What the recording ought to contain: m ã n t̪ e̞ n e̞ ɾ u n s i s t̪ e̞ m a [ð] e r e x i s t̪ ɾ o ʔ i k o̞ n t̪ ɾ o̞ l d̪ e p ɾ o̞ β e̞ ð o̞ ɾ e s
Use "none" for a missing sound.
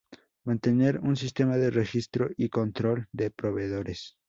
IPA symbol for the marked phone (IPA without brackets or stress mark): ð